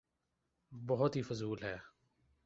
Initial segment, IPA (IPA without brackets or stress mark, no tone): b